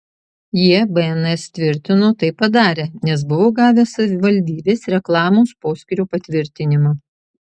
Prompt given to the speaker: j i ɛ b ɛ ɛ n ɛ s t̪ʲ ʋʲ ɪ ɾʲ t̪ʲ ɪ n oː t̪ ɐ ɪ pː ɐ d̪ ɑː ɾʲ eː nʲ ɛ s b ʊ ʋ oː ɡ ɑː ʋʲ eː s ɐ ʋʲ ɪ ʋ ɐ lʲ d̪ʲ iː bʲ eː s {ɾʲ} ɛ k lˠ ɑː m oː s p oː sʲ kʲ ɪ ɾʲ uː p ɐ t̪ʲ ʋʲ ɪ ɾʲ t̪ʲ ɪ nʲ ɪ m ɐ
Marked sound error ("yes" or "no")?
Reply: no